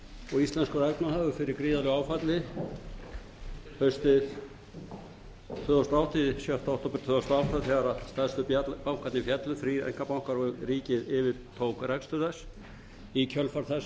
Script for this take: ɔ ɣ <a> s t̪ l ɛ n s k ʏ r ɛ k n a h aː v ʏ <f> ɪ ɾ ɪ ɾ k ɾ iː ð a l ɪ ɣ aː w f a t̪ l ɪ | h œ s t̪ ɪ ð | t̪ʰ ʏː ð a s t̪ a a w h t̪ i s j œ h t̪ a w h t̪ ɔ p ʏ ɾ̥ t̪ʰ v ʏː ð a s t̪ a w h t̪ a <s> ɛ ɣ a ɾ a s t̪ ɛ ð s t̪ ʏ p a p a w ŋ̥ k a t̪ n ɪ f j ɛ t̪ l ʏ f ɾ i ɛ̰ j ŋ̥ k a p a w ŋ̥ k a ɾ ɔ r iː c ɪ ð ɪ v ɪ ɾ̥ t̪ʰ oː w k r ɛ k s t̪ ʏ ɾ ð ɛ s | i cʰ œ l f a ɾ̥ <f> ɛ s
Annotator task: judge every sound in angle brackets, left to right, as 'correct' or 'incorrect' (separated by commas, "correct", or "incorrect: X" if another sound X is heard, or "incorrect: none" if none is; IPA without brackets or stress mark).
incorrect: i, correct, incorrect: θ, incorrect: θ